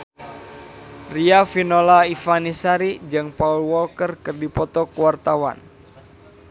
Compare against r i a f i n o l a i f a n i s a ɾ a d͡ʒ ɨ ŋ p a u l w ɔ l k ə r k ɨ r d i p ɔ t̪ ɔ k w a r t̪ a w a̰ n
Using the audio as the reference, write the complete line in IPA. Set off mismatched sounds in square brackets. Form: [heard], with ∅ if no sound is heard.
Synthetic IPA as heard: r i a f i n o l a i f a n i s a ɾ [i] d͡ʒ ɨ ŋ p a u l w ɔ l k ə r k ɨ r d i p ɔ t̪ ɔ k w a r t̪ a w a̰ n